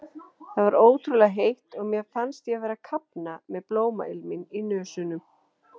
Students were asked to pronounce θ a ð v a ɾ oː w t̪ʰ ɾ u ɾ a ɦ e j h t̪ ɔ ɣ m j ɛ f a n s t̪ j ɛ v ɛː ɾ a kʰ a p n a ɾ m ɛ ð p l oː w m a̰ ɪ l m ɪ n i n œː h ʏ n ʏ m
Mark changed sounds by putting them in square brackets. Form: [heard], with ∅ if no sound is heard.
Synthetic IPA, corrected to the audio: θ a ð v a ɾ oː w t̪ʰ ɾ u [l] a ɦ e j h t̪ ɔ ɣ m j ɛ f a n s t̪ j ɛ v ɛː ɾ a kʰ a p n a [∅] m ɛ ð p l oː w m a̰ ɪ l m ɪ n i n œː [s] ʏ n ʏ m